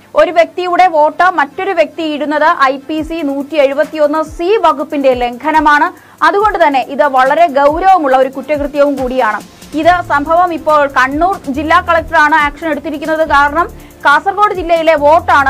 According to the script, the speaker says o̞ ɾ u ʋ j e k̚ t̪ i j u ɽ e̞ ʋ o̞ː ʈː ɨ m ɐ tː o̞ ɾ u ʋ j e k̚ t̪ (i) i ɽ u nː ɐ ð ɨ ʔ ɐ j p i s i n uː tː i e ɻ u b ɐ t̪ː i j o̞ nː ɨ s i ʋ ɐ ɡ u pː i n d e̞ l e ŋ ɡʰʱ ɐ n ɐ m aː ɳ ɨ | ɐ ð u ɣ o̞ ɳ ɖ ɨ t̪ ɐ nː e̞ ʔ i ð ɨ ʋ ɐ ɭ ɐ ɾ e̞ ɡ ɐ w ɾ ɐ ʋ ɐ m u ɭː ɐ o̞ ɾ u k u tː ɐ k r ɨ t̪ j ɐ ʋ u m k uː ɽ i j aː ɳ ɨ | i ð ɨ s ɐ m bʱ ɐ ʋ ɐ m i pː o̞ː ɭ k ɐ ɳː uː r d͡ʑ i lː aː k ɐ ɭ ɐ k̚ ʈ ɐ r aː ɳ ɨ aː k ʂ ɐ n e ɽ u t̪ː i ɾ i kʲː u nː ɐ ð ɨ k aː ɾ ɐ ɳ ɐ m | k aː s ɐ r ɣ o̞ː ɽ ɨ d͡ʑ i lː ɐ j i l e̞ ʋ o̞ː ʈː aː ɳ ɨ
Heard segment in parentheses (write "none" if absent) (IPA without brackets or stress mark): i